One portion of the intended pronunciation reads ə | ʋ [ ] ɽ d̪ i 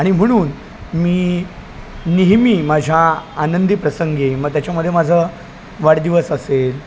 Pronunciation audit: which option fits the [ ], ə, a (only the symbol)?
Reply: a